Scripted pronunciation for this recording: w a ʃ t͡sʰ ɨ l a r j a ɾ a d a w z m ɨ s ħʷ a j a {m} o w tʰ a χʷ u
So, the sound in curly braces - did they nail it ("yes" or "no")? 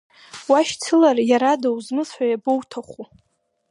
no